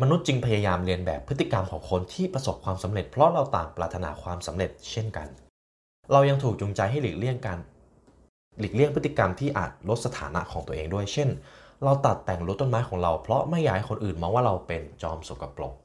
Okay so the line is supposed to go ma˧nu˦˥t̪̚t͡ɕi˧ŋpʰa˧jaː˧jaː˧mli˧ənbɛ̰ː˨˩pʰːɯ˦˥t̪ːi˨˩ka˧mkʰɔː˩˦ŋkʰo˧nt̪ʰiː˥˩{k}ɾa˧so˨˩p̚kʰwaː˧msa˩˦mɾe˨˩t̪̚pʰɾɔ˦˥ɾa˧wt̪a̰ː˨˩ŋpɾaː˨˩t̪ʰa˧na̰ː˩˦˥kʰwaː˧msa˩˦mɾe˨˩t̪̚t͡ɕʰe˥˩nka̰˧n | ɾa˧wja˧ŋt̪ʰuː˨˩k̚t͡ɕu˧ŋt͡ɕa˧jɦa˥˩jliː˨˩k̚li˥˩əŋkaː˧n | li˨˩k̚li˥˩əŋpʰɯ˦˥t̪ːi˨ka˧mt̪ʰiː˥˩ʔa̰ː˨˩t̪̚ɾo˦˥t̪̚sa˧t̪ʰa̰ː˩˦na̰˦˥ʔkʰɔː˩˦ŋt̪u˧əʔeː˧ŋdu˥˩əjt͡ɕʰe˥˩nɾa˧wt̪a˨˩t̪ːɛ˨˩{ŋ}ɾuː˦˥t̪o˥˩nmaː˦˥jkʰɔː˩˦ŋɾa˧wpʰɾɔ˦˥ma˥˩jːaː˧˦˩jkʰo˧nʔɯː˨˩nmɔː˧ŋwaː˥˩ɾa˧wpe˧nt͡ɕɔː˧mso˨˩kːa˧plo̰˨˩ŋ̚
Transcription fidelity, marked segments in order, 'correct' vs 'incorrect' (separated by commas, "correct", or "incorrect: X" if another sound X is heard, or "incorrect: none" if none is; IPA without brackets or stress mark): incorrect: p, correct